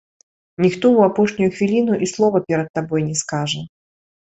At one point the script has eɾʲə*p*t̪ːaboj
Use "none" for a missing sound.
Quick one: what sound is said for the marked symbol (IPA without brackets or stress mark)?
none